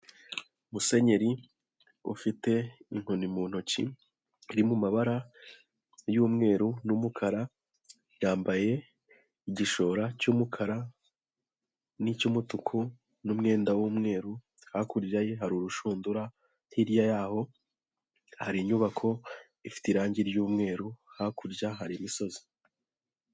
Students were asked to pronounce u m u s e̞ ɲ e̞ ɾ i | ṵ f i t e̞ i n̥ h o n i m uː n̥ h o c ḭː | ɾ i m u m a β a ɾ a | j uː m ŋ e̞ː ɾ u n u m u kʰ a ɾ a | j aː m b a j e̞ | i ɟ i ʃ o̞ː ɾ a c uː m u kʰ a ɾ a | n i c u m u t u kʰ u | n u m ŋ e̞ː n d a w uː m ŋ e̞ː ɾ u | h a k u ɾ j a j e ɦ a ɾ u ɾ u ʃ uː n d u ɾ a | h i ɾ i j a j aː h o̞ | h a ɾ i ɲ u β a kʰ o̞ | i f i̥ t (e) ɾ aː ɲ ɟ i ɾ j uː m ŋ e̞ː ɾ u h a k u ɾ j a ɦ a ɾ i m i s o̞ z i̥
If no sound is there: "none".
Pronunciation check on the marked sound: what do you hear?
i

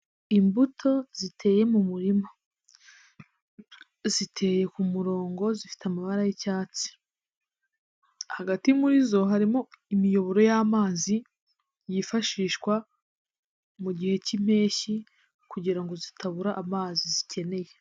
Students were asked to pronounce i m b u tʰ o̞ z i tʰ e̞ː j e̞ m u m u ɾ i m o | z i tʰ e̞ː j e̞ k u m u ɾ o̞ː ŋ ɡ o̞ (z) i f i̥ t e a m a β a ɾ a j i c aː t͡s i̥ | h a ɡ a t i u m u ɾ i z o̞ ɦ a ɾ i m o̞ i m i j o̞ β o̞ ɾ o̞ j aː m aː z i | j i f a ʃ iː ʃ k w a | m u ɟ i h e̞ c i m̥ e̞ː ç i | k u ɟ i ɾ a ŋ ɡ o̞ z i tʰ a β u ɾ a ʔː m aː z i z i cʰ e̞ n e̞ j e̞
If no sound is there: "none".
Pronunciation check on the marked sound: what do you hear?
z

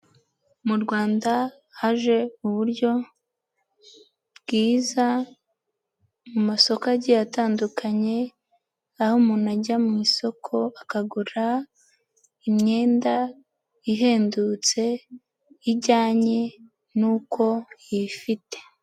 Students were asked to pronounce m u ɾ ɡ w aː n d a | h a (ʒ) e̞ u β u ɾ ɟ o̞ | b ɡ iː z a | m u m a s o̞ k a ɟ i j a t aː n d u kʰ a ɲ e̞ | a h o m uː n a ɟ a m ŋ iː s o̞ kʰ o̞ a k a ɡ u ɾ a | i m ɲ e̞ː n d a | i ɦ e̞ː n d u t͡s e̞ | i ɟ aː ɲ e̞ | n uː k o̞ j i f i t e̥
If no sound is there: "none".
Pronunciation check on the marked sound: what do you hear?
ʒ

